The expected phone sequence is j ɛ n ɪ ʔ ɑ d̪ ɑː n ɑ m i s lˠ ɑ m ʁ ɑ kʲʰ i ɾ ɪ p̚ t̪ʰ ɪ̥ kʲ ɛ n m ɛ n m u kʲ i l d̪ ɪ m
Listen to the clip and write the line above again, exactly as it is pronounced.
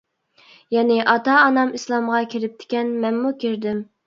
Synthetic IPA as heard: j ɛ n ɪ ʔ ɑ t̪ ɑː n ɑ m i s lˠ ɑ m ʁ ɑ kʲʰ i ɾ ɪ p̚ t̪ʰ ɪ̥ kʲ ɛ n m ɛ n m u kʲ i ɾ d̪ ɪ m